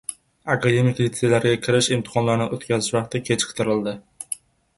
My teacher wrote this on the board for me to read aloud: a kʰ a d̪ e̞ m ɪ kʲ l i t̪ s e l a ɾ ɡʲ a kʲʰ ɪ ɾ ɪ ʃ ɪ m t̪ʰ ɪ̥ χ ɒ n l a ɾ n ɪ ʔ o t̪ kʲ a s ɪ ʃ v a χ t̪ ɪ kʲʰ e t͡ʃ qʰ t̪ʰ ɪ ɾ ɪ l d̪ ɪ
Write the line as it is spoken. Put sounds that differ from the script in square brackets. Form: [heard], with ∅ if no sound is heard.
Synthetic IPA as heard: a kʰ a d̪ e̞ m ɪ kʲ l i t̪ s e l a ɾ ɡʲ a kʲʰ ɪ ɾ ɪ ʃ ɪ m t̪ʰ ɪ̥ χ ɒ n l a ɾ n ɪ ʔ o t̪ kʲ a [z] ɪ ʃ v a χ t̪ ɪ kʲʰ e t͡ʃ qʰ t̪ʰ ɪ ɾ ɪ l d̪ ɪ